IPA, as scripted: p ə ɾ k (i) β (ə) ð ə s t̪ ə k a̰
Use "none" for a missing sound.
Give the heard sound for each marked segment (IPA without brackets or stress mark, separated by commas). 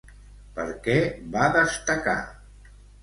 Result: ɛ, a